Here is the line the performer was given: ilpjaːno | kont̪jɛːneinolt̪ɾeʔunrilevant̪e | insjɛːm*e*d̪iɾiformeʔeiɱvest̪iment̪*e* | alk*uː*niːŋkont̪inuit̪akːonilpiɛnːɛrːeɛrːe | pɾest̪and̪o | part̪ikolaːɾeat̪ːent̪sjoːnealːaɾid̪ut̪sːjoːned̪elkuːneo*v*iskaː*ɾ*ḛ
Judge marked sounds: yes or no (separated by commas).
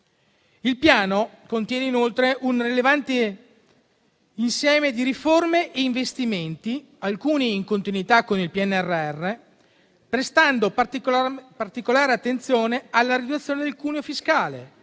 yes, no, yes, no, no